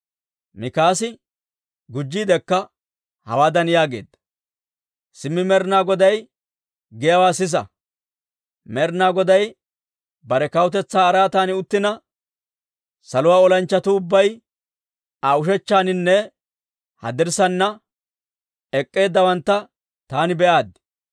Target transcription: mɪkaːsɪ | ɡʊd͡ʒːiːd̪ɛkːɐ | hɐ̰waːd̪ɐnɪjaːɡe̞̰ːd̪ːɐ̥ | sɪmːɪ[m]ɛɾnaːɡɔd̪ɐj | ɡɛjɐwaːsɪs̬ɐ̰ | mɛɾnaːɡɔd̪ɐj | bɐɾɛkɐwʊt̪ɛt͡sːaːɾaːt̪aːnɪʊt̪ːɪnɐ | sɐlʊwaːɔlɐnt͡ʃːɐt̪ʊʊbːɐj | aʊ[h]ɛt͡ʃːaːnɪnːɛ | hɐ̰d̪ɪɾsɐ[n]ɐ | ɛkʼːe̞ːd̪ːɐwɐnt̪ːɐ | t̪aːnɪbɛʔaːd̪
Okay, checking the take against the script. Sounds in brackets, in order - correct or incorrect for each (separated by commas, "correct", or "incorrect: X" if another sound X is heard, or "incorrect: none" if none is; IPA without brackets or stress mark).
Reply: correct, incorrect: ʃ, incorrect: nː